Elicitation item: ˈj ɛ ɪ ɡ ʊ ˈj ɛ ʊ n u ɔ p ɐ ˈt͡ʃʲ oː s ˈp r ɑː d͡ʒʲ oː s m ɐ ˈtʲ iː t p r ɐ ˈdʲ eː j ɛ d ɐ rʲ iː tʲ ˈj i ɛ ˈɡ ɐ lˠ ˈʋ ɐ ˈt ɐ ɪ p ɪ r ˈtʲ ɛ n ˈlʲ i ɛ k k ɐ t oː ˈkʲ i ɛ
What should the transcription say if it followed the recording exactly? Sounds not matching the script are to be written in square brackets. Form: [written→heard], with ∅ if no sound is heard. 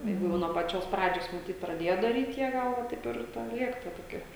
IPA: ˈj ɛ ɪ ɡ ʊ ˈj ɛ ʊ n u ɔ p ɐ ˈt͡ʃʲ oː s ˈp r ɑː d͡ʒʲ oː s m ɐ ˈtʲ iː t p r ɐ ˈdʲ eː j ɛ d ɐ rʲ iː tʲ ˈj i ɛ ˈɡ ɐ lˠ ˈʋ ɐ ˈt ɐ ɪ p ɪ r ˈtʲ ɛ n ˈlʲ i ɛ k [k→t] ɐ t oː ˈkʲ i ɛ